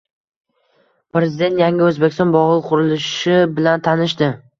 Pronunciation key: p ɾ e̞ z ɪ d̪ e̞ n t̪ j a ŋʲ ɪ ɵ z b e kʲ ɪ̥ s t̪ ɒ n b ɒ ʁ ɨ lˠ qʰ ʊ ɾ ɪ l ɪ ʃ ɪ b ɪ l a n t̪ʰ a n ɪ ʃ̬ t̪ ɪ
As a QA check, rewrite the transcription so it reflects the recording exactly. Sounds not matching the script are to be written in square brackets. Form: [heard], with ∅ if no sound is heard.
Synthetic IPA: p ɾ e̞ z ɪ d̪ e̞ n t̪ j a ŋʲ ɪ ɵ z b e kʲ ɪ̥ s t̪ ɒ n b ɒ ʁ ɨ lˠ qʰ ʊ ɾ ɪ l ɪ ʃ ɪ b ɪ l a n t̪ʰ a n ɪ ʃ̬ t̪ ɪ